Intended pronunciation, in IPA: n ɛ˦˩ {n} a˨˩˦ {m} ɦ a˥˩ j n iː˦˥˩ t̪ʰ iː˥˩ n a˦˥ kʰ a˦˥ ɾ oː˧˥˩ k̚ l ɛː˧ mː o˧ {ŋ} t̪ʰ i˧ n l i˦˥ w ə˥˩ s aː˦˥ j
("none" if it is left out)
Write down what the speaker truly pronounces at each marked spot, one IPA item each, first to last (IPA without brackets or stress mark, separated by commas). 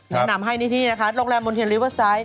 n, m, n